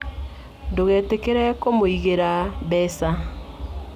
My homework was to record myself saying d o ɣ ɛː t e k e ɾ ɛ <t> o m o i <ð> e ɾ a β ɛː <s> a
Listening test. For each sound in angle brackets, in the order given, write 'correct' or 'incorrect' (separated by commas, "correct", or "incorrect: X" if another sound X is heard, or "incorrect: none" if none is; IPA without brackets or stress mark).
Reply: incorrect: k, incorrect: ɣ, correct